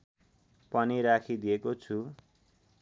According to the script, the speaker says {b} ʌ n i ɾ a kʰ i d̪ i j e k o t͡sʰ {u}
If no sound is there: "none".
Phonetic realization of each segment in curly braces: p, u

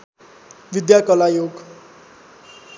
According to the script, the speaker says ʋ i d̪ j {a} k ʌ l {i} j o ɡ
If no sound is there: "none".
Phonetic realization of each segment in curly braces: a, a

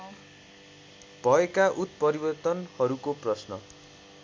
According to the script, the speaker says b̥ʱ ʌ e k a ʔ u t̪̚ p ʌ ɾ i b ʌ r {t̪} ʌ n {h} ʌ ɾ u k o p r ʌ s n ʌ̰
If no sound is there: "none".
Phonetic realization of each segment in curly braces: t̪, h

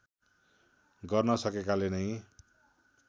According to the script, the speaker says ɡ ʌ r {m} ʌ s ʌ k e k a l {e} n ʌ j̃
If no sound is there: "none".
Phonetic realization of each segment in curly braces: n, e

